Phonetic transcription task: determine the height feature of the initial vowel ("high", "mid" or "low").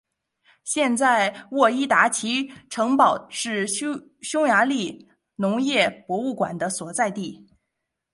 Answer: mid